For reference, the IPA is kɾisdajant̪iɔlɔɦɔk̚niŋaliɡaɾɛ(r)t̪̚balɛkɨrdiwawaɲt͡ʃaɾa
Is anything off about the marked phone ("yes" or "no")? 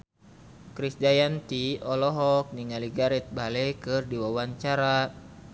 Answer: yes